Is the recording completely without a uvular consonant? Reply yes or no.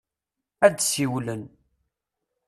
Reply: yes